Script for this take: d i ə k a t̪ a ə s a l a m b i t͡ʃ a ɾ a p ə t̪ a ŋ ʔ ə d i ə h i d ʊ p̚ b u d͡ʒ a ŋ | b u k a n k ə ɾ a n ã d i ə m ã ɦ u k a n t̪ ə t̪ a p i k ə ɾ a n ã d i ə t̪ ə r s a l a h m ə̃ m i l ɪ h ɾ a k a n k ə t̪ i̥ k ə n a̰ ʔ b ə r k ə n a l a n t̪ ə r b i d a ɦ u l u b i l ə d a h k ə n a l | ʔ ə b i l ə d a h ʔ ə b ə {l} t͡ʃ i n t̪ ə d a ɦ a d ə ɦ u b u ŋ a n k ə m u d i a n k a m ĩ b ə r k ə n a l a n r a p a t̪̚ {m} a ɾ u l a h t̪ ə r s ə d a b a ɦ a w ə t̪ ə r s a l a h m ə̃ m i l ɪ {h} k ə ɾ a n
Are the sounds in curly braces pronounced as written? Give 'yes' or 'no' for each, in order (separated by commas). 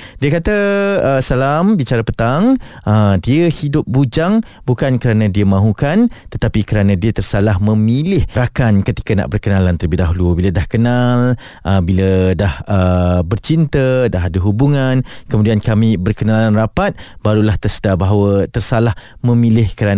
no, no, yes